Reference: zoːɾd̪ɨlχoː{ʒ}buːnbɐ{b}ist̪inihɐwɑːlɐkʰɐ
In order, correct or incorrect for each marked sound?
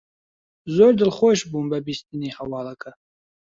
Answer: incorrect, correct

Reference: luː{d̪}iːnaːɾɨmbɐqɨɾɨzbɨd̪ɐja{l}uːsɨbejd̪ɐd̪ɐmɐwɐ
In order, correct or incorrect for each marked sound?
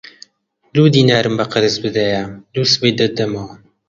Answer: correct, correct

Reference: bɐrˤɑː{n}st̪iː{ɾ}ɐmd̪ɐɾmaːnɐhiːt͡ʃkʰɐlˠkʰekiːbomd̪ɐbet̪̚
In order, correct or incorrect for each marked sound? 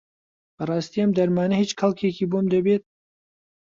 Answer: incorrect, incorrect

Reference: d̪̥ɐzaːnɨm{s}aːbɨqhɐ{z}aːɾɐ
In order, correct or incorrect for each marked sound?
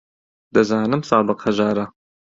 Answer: correct, incorrect

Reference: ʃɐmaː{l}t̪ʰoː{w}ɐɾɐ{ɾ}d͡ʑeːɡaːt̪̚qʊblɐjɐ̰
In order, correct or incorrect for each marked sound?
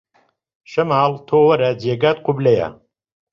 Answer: correct, correct, incorrect

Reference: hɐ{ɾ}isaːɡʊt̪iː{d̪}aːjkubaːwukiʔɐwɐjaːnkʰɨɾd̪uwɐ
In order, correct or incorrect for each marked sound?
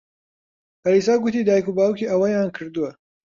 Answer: correct, correct

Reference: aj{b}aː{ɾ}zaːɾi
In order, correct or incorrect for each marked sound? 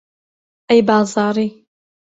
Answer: correct, incorrect

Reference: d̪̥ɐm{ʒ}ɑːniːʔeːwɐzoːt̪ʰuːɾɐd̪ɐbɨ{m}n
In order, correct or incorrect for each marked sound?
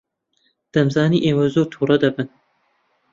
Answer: incorrect, incorrect

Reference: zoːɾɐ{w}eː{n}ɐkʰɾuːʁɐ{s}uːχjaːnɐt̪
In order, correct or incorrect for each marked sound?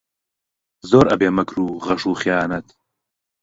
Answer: incorrect, incorrect, incorrect

